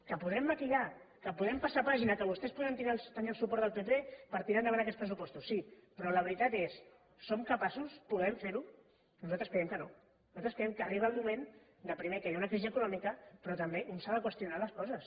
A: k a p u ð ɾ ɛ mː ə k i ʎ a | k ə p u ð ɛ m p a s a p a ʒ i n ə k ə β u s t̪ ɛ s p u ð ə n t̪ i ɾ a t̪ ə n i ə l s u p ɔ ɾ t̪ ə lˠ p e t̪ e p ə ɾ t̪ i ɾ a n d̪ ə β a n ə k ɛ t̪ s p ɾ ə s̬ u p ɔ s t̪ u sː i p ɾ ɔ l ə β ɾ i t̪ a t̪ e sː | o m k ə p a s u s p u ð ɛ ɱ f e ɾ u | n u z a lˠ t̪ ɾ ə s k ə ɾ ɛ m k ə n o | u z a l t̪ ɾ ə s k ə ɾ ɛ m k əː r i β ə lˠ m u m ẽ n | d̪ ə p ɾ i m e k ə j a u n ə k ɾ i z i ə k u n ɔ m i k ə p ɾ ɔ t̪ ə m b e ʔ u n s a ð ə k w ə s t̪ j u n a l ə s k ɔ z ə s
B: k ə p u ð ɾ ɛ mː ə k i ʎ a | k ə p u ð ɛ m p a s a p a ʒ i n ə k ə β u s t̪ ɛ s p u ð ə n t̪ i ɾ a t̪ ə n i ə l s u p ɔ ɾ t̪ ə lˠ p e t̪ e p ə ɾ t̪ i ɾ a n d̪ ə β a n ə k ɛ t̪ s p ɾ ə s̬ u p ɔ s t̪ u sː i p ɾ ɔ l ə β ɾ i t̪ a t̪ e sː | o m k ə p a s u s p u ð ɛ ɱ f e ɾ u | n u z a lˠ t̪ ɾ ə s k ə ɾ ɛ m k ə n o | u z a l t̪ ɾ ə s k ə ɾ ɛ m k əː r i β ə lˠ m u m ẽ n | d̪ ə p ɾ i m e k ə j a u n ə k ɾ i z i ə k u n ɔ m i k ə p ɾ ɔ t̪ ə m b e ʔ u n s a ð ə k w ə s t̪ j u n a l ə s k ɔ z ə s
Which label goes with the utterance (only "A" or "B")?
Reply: B